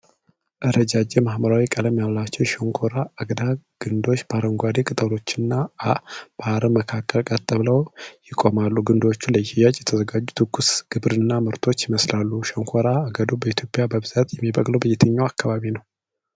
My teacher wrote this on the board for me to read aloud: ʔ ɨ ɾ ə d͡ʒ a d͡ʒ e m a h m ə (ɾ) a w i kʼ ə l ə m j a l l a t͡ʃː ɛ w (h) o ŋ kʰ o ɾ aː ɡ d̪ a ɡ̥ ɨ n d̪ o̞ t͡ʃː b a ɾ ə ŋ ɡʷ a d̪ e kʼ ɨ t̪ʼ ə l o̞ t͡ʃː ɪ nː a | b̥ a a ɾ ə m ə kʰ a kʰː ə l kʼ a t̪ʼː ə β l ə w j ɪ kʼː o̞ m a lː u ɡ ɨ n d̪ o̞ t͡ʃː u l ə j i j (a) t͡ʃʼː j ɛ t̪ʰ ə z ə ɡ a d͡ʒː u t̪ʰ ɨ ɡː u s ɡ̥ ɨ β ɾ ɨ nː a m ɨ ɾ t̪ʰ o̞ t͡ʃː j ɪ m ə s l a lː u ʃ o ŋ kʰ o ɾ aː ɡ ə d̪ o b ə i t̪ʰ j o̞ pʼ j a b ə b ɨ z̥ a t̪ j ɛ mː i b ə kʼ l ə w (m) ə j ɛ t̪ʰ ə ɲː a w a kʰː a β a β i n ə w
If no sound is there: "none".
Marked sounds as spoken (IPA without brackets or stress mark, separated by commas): ɾ, ʃ, a, b